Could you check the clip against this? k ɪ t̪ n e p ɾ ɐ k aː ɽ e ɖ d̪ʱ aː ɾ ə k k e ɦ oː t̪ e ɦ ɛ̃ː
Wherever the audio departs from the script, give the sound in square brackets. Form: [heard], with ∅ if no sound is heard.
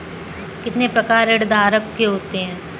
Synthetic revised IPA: k ɪ t̪ n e p ɾ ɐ k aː [ɾ] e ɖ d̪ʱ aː ɾ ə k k e ɦ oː t̪ e ɦ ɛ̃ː